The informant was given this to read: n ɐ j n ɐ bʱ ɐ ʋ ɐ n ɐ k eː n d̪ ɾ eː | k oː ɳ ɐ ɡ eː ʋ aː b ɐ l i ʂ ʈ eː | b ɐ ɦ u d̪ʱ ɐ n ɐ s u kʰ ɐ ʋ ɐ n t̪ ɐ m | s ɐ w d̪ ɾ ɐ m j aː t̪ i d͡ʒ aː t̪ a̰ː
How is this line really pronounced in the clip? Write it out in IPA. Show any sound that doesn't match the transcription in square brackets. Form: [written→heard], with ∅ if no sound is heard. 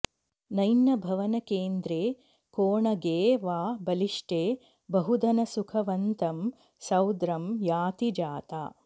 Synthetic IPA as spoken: n ɐ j n ɐ bʱ ɐ ʋ ɐ n ɐ k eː n d̪ ɾ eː | k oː ɳ ɐ ɡ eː ʋ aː b ɐ l i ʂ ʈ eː | b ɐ ɦ u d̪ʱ ɐ n ɐ s u kʰ ɐ ʋ ɐ n t̪ ɐ m | s ɐ w d̪ ɾ ɐ m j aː t̪ i d͡ʒ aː t̪ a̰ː

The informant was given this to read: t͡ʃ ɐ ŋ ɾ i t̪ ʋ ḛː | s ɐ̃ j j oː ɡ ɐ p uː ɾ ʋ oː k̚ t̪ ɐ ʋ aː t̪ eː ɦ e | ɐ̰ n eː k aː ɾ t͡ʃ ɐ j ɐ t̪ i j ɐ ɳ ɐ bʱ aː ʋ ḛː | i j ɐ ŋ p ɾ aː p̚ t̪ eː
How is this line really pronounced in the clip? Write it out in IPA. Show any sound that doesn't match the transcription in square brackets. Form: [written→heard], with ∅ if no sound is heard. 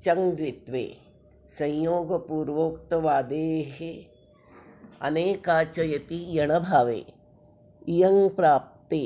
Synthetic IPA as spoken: t͡ʃ ɐ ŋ ɾ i t̪ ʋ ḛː | s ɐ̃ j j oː ɡ ɐ p uː ɾ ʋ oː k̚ t̪ ɐ ʋ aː [t̪→d̪] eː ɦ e | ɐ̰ n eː k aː [ɾ→∅] t͡ʃ ɐ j ɐ t̪ i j ɐ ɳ ɐ bʱ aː ʋ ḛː | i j ɐ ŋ p ɾ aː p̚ t̪ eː

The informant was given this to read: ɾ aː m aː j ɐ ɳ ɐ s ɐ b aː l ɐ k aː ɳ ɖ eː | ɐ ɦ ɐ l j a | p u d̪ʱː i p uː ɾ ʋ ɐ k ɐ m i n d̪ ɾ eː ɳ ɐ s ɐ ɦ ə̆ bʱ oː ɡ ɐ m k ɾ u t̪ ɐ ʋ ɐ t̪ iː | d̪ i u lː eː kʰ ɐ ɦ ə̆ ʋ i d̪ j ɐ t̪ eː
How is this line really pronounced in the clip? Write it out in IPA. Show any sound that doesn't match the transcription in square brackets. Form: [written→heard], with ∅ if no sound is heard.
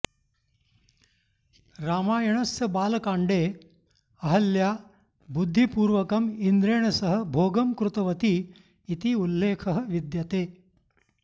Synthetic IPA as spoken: ɾ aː m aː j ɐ ɳ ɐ s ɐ b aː l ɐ k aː ɳ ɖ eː | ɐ ɦ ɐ l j a | [p→b] u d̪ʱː i p uː ɾ ʋ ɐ k ɐ m i n d̪ ɾ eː ɳ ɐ s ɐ ɦ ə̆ bʱ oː ɡ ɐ m k ɾ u t̪ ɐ ʋ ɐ t̪ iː | [d̪→t̪] i u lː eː kʰ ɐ ɦ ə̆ ʋ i d̪ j ɐ t̪ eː

